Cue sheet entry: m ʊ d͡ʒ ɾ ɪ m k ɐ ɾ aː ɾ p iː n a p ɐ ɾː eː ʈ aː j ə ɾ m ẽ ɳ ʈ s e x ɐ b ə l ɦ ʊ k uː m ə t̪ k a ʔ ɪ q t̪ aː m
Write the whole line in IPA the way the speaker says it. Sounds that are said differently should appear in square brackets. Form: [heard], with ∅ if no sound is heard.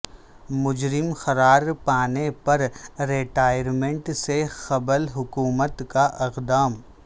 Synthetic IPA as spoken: m ʊ d͡ʒ ɾ ɪ m [x] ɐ ɾ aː ɾ p [aː] n [e] p ɐ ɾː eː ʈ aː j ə ɾ m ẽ ɳ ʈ s e x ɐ b ə l ɦ ʊ k uː m ə t̪ k a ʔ ɪ q [d̪] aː m